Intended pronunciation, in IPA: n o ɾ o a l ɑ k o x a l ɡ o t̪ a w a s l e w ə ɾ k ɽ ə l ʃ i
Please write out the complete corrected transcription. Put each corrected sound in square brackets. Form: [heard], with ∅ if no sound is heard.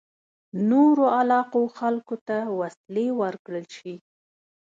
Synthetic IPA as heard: n o ɾ o a l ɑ [q] o x a l [k] o t̪ a w a s l e w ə ɾ k ɽ ə l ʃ i